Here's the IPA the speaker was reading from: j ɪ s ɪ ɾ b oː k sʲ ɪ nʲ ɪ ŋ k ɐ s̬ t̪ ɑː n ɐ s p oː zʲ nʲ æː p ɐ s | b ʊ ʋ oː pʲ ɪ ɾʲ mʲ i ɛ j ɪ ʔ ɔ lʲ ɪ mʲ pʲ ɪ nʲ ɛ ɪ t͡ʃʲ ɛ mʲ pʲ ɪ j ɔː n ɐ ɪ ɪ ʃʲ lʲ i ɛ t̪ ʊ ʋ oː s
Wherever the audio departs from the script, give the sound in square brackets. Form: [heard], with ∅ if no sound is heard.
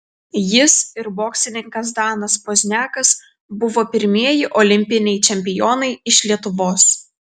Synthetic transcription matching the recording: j ɪ s ɪ ɾ b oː k sʲ ɪ nʲ ɪ ŋ k ɐ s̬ [d̪] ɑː n ɐ s p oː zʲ nʲ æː [k] ɐ s | b ʊ ʋ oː pʲ ɪ ɾʲ mʲ i ɛ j ɪ ʔ ɔ lʲ ɪ mʲ pʲ ɪ nʲ ɛ ɪ t͡ʃʲ ɛ mʲ pʲ ɪ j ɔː n ɐ ɪ ɪ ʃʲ lʲ i ɛ t̪ ʊ ʋ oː s